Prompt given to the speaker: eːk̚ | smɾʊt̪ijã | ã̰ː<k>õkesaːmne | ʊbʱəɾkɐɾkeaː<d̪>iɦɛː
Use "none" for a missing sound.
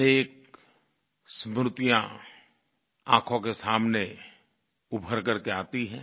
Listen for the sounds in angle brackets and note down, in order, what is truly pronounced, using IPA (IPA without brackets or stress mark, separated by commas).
kʰ, t̪